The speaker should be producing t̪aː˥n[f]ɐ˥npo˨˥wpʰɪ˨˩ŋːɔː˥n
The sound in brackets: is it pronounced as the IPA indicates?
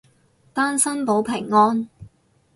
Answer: no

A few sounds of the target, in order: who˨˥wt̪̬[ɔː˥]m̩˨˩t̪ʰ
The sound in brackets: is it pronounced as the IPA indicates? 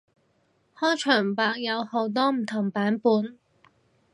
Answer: yes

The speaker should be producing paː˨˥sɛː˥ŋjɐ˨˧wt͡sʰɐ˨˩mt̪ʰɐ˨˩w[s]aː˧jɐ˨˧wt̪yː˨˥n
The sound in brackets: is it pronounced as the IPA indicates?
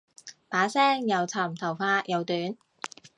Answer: no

